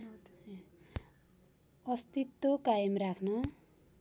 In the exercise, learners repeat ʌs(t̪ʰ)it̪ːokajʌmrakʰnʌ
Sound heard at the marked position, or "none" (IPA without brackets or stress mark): t̪